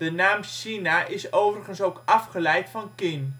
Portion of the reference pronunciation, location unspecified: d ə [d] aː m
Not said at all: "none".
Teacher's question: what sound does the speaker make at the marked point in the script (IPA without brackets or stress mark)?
n